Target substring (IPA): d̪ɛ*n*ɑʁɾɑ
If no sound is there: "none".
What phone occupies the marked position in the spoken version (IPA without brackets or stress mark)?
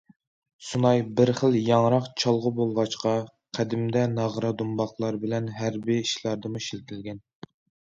n